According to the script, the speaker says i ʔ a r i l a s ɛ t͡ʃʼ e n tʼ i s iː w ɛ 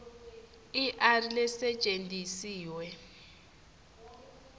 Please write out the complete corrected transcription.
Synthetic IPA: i ʔ a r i l ɛ s ɛ t͡ʃʼ e n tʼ i s iː w ɛ